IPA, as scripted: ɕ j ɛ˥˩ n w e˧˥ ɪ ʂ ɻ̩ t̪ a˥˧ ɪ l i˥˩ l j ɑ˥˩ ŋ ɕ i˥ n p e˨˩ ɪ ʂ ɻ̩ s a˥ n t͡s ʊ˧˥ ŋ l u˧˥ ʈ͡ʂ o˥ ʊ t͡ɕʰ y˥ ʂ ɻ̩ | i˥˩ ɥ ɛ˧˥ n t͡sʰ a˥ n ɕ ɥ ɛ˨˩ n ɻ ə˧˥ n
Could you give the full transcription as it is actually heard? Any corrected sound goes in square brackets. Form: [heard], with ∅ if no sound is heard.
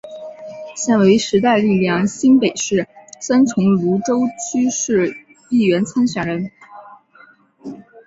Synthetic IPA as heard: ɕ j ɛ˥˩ n w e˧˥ ɪ ʂ ɻ̩ t̪ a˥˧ ɪ l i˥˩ l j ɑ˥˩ ŋ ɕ i˥ n p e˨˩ ɪ ʂ ɻ̩ s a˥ n [t͡sʰ] ʊ˧˥ ŋ l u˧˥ ʈ͡ʂ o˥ ʊ t͡ɕʰ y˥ ʂ ɻ̩ | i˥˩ ɥ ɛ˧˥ n t͡sʰ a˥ n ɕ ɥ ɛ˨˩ n ɻ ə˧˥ n